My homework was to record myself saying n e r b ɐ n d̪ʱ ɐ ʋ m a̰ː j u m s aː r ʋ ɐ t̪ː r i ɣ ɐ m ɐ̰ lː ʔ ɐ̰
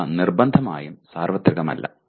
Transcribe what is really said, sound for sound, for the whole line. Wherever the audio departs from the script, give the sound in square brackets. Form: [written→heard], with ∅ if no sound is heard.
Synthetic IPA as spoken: n [e→i] r b ɐ n d̪ʱ ɐ [ʋ→∅] m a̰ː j u m s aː r ʋ ɐ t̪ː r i ɣ ɐ m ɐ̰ lː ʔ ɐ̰